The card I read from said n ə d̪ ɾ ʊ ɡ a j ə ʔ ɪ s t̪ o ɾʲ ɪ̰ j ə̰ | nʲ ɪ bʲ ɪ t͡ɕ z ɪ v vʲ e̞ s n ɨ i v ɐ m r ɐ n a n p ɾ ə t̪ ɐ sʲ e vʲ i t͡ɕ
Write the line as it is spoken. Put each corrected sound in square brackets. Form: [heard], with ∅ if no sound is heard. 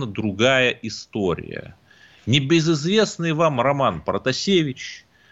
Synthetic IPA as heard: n ə d̪ ɾ ʊ ɡ a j ə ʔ ɪ s t̪ o ɾʲ ɪ̰ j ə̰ | nʲ ɪ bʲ ɪ [∅] z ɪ [z] vʲ e̞ s n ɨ [j] v [a] m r ɐ [m] a n p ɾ ə t̪ ɐ sʲ e vʲ [ɪ] t͡ɕ